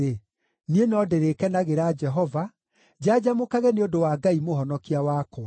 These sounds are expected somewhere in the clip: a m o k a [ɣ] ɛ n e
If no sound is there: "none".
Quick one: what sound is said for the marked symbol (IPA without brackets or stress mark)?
ɣ